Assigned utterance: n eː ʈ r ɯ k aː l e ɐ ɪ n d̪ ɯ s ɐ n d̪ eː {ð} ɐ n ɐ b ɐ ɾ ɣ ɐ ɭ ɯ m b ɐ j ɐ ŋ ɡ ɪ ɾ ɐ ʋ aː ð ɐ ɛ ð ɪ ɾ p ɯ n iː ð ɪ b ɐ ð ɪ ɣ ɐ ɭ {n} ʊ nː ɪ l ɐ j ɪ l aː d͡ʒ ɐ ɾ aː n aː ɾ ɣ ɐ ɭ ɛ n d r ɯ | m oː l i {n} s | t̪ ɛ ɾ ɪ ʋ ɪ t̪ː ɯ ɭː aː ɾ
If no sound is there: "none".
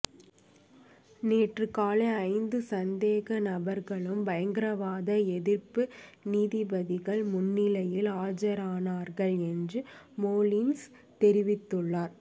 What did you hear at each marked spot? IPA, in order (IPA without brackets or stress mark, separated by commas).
ɣ, m, n